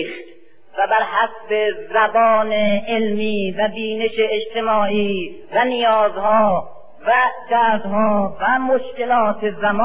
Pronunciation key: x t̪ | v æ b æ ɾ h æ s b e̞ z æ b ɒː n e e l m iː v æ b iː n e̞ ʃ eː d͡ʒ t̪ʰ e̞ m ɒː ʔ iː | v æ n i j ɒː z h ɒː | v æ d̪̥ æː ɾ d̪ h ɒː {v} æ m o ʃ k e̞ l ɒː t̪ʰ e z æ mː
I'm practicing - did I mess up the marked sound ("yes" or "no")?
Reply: no